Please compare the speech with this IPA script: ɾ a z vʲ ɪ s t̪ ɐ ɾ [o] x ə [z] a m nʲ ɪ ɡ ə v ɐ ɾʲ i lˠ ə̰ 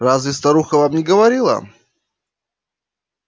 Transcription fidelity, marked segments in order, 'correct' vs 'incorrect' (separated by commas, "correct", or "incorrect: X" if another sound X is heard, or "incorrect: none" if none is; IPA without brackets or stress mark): incorrect: u, incorrect: v